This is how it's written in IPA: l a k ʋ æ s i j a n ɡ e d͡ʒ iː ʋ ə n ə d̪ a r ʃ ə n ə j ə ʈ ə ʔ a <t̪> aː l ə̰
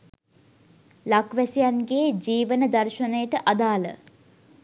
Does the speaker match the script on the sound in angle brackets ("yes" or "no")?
no